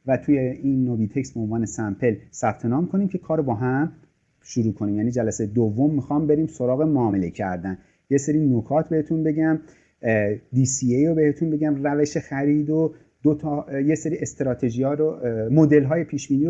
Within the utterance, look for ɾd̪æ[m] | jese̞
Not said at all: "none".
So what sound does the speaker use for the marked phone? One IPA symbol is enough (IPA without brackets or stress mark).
n